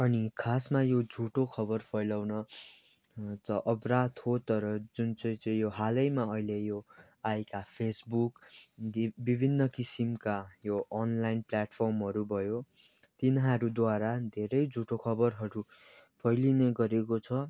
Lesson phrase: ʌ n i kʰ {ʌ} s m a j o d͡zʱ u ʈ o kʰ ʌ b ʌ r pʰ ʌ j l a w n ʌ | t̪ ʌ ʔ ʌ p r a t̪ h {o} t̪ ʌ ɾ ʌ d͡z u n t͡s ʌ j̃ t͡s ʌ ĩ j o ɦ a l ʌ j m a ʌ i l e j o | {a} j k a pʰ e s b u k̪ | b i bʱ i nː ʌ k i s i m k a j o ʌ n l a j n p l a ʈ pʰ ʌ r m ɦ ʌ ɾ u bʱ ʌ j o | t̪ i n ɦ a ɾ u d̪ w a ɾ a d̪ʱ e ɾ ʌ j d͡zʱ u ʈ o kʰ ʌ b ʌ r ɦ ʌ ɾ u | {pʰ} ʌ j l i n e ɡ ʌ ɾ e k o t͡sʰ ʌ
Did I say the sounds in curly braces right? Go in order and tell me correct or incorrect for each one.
incorrect, correct, correct, correct

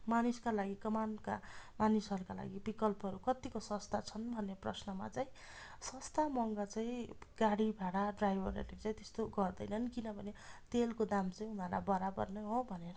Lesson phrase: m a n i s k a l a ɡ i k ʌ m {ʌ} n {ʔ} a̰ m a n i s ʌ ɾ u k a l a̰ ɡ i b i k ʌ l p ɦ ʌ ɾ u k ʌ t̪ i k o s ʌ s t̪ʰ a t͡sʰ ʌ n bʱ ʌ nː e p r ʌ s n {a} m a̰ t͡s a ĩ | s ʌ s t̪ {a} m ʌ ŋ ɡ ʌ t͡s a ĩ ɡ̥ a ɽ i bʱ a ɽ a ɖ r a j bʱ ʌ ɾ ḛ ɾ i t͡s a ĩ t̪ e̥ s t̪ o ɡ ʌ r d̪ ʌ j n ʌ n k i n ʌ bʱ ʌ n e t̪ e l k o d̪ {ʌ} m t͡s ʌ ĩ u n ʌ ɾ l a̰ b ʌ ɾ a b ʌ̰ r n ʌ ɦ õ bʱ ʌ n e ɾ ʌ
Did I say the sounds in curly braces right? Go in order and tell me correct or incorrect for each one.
incorrect, incorrect, incorrect, correct, incorrect

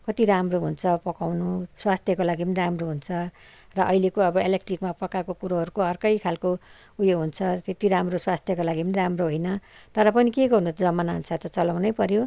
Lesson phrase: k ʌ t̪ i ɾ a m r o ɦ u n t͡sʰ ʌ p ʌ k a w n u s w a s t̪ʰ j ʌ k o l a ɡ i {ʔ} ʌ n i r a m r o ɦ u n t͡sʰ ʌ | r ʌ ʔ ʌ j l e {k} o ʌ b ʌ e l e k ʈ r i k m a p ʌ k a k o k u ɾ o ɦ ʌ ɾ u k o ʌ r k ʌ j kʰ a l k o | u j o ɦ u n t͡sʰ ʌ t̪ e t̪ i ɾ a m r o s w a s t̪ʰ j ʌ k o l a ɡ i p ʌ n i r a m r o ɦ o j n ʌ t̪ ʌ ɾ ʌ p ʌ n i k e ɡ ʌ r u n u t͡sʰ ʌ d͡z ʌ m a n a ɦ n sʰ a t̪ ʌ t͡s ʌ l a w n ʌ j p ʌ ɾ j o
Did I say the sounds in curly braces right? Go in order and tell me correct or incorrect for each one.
incorrect, correct

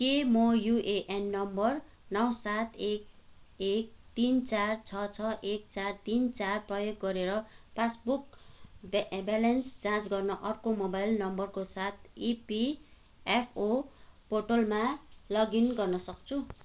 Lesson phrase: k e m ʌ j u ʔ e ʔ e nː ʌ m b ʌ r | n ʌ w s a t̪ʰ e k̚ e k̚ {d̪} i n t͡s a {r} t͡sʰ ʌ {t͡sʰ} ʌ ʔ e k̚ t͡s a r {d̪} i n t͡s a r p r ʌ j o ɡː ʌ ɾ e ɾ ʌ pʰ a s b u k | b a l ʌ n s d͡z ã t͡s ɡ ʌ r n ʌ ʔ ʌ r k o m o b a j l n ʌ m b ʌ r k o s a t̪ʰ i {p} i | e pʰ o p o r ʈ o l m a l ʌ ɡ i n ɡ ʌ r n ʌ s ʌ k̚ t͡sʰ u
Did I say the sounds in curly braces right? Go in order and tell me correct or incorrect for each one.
incorrect, correct, correct, incorrect, correct

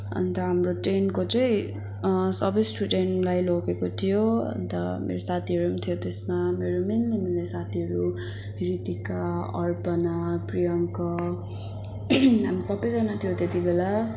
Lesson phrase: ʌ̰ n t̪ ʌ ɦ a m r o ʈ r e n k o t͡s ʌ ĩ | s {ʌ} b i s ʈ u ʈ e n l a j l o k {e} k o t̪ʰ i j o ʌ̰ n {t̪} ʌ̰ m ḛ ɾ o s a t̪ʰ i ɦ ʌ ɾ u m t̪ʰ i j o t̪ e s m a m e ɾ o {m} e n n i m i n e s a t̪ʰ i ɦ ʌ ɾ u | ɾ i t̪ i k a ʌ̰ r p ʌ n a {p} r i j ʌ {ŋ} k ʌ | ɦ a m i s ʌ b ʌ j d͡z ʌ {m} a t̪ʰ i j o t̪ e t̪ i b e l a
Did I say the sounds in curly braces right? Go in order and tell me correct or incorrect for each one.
correct, correct, correct, correct, correct, correct, incorrect

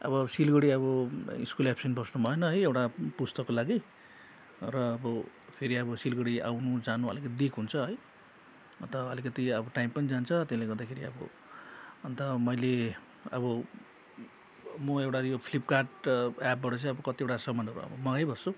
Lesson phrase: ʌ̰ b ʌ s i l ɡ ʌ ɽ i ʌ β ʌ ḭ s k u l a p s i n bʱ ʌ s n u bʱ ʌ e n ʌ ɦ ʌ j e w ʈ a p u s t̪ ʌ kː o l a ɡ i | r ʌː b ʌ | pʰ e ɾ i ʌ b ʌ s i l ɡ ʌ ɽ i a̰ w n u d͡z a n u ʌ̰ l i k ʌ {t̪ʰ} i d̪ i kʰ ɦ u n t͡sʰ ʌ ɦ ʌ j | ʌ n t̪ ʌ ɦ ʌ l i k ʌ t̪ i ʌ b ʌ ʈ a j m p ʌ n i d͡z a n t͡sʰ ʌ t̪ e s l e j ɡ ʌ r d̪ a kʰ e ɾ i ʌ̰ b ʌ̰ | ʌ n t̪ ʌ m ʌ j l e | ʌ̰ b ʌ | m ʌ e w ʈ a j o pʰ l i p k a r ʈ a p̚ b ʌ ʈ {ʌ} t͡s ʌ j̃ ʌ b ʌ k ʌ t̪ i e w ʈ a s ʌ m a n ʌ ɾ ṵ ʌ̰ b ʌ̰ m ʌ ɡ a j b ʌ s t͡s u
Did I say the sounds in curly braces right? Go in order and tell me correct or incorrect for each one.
incorrect, correct

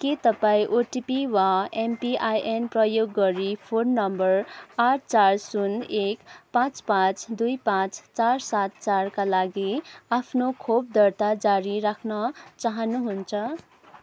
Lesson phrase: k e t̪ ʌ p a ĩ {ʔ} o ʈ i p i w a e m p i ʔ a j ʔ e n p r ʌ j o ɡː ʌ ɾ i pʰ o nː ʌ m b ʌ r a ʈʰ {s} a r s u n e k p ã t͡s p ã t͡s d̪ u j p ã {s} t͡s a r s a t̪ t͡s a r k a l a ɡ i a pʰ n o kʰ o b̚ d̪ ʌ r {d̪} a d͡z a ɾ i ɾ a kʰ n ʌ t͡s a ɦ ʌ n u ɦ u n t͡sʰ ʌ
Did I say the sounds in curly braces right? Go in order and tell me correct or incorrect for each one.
correct, incorrect, incorrect, incorrect

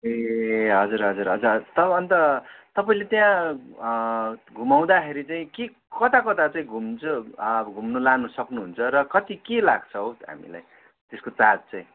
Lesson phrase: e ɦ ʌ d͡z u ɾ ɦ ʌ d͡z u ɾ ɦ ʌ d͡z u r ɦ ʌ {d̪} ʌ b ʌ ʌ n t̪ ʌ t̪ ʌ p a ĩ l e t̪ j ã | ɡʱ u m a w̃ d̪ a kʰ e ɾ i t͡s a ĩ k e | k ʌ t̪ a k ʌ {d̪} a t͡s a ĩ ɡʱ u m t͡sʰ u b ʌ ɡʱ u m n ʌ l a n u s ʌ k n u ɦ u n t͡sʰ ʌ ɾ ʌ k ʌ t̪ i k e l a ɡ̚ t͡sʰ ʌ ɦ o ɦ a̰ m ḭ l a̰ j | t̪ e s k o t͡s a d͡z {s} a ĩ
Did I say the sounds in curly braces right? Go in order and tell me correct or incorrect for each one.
incorrect, incorrect, incorrect

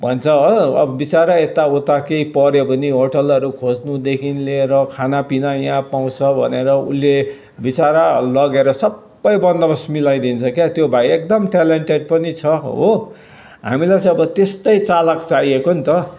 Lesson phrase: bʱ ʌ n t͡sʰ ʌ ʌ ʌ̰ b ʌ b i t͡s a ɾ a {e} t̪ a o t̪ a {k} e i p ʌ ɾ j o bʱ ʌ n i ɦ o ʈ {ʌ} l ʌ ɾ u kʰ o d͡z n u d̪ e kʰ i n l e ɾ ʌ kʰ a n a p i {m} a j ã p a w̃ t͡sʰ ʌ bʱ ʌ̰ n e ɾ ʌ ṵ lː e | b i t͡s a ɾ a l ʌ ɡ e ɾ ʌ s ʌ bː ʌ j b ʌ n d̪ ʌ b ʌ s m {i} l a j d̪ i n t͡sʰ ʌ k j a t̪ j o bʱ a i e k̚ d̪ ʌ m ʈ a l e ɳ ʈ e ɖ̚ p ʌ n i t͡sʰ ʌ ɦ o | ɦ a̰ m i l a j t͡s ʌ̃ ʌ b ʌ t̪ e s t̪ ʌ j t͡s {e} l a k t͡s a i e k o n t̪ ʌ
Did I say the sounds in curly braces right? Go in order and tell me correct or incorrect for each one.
correct, correct, correct, incorrect, correct, incorrect

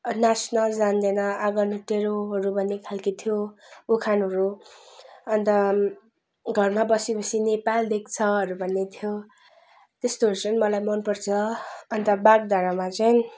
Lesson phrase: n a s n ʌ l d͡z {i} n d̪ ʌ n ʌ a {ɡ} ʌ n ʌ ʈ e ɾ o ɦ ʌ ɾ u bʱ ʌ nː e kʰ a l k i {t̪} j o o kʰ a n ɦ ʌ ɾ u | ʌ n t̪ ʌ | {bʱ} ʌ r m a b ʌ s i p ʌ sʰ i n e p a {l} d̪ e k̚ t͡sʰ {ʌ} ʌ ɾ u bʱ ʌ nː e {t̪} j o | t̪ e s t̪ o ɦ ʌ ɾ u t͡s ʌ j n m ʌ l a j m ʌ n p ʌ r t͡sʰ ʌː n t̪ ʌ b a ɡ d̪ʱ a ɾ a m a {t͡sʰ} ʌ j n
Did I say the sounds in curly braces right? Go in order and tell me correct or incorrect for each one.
incorrect, correct, incorrect, incorrect, correct, correct, incorrect, incorrect

